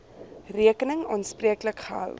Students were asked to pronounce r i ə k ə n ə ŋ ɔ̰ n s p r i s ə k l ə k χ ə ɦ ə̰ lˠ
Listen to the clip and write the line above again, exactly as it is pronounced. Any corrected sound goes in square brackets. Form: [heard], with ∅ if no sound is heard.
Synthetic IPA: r i ə k ə n ə ŋ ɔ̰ n s p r i [∅] ə k l ə k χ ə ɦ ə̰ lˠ